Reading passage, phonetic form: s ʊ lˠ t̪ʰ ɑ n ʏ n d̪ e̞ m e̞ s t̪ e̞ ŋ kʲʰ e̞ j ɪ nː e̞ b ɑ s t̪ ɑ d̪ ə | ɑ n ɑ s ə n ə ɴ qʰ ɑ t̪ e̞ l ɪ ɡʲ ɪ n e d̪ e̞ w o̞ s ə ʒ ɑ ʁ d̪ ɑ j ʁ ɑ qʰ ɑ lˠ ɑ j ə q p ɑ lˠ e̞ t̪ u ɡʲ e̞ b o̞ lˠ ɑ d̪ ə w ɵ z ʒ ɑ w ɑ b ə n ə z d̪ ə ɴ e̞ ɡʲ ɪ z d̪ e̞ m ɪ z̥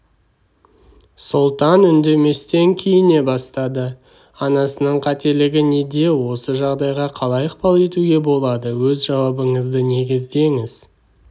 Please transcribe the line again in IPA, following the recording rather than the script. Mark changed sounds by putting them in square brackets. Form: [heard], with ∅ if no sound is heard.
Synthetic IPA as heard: s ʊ lˠ [t̪] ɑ n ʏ n d̪ e̞ m e̞ s t̪ e̞ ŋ kʲʰ e̞ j ɪ [n] e̞ b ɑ s t̪ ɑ d̪ ə | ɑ n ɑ s ə n ə ɴ qʰ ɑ t̪ e̞ l ɪ ɡʲ ɪ n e d̪ e̞ w o̞ s ə ʒ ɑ ʁ d̪ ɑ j ʁ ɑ qʰ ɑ lˠ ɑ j ə q p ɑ lˠ e̞ t̪ u ɡʲ e̞ b o̞ lˠ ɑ d̪ ə w ɵ z ʒ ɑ w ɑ b ə [ɴ] ə z d̪ ə [n] e̞ ɡʲ ɪ z d̪ e̞ [ŋ] ɪ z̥